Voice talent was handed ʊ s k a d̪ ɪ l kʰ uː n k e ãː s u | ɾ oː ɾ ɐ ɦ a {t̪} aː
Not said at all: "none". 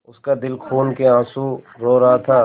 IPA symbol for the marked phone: t̪ʰ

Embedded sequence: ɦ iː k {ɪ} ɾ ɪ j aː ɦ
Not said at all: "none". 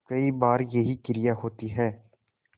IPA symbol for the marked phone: ɪ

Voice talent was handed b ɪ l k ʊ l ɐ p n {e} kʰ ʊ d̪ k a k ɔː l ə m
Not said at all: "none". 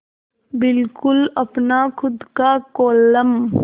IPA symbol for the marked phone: a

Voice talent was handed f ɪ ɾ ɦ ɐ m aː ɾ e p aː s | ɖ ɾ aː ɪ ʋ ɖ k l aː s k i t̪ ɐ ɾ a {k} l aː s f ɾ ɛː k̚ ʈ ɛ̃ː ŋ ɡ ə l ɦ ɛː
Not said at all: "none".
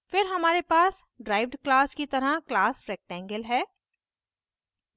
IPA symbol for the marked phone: k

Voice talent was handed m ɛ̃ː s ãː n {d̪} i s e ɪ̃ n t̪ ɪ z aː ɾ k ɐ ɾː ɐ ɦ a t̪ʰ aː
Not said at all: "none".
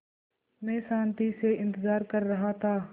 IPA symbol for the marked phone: t̪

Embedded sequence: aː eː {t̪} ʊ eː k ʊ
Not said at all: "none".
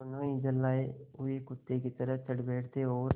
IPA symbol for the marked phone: none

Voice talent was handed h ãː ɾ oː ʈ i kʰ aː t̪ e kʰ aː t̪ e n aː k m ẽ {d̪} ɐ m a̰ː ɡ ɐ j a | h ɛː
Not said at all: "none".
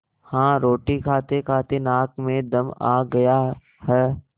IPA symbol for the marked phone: d̪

